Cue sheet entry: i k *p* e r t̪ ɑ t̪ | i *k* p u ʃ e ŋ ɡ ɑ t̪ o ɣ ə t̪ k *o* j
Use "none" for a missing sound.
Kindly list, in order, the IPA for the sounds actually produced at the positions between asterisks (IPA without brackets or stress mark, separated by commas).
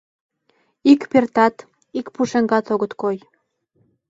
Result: p, k, o